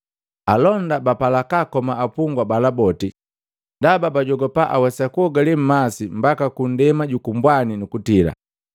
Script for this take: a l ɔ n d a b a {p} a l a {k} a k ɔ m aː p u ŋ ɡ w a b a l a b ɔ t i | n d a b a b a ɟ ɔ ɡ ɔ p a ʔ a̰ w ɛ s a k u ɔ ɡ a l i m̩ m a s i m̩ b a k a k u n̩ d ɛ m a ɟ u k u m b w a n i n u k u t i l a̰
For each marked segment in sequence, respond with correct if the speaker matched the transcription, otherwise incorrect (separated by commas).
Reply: correct, correct